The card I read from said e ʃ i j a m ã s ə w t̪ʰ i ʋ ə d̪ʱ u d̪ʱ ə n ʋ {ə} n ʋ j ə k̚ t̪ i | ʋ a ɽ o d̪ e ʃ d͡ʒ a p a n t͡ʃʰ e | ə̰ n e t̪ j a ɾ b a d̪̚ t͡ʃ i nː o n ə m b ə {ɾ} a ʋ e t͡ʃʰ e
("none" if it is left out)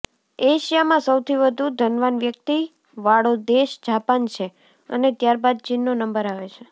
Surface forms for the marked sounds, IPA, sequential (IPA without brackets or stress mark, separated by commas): a, ɾ